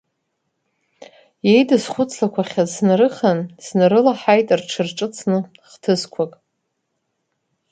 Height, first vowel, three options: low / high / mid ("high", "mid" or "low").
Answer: mid